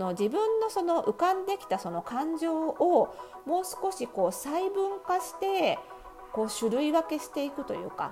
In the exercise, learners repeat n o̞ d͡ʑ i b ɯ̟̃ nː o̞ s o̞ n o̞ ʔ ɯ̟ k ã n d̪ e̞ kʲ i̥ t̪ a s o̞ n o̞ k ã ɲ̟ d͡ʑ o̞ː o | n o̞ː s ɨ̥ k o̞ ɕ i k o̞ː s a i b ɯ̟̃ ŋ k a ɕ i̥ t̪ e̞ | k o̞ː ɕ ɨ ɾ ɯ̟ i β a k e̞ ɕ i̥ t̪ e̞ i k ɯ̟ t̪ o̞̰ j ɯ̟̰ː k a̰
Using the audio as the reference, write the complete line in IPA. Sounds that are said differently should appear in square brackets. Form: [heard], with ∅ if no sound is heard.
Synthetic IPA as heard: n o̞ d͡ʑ i b ɯ̟̃ nː o̞ s o̞ n o̞ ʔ ɯ̟ k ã n d̪ e̞ kʲ i̥ t̪ a s o̞ n o̞ k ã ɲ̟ d͡ʑ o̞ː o | [m] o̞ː s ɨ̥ k o̞ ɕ i k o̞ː s a i b ɯ̟̃ ŋ k a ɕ i̥ t̪ e̞ | k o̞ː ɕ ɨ ɾ ɯ̟ i β a k e̞ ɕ i̥ t̪ e̞ i k ɯ̟ t̪ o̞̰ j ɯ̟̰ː k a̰